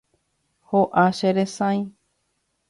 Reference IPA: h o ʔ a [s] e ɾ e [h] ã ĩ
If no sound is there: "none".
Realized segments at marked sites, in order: ʃ, s

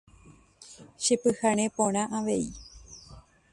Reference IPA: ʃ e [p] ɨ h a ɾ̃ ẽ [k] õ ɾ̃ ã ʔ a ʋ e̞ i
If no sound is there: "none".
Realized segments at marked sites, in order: p, p

